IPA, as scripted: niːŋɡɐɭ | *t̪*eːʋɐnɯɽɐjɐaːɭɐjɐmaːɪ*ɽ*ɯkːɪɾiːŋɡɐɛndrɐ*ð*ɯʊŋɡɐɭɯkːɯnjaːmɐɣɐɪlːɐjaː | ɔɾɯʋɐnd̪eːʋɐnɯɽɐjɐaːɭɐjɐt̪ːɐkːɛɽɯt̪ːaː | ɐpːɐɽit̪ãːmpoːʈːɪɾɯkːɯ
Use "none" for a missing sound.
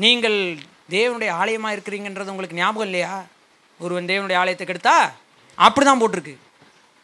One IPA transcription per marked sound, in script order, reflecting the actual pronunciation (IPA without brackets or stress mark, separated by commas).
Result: d̪, ɾ, ð